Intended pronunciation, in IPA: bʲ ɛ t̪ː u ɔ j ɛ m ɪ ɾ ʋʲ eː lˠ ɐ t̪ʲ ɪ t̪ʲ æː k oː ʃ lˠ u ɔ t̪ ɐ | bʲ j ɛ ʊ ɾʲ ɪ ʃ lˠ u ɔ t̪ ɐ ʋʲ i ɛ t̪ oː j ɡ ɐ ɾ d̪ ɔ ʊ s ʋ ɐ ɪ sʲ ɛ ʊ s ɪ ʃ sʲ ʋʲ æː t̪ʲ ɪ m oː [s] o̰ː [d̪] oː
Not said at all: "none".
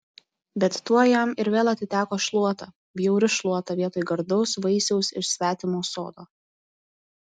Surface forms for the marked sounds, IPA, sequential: s, d̪

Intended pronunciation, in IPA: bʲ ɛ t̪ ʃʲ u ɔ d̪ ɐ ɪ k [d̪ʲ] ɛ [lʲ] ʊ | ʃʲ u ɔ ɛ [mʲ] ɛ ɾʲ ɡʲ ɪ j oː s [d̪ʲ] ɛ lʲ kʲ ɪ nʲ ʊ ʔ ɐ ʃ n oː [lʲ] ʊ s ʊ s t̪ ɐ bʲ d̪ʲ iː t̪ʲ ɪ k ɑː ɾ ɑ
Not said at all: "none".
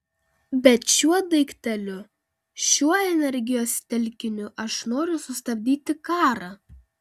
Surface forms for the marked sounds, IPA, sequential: t̪ʲ, lʲ, nʲ, t̪ʲ, ɾʲ

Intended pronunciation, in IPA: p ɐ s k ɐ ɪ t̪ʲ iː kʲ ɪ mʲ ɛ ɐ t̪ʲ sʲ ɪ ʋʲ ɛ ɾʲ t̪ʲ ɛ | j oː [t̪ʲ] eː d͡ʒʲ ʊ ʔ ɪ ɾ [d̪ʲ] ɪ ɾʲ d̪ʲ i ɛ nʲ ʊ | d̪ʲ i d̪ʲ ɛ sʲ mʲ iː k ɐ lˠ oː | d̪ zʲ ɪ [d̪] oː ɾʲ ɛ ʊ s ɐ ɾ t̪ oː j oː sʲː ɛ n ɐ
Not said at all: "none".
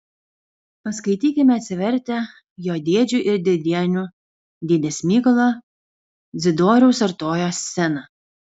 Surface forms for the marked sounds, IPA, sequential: d̪ʲ, d̪ʲ, d̪

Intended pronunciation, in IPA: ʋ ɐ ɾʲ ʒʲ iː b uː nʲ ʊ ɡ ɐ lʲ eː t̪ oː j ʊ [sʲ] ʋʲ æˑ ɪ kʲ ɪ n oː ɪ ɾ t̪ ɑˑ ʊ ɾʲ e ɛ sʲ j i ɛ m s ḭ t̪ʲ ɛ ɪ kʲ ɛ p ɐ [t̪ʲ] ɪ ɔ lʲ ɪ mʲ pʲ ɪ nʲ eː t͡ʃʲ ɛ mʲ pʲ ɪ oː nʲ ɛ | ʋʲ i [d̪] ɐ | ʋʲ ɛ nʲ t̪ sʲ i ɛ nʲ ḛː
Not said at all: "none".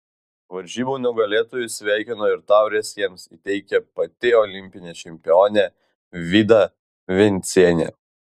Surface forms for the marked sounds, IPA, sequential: sʲ, t̪ʲ, d̪

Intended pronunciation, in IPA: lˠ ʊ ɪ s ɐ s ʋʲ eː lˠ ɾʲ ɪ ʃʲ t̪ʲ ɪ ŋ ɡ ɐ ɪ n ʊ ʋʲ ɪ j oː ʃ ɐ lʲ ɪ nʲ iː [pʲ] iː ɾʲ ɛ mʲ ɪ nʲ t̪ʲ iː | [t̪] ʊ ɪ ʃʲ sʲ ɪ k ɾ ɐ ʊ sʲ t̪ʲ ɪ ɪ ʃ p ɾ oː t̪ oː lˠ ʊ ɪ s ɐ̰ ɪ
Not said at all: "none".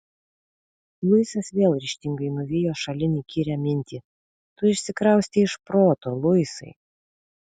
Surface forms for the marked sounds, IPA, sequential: kʲ, t̪

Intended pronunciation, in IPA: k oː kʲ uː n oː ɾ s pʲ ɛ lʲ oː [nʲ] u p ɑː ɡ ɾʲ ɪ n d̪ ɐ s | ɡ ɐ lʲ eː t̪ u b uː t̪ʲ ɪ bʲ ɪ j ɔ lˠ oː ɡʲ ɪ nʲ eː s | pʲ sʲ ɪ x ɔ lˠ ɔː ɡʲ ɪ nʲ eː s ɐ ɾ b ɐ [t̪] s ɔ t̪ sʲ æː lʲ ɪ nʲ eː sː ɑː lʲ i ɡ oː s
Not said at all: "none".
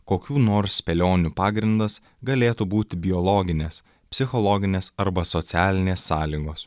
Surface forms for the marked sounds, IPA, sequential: nʲ, none

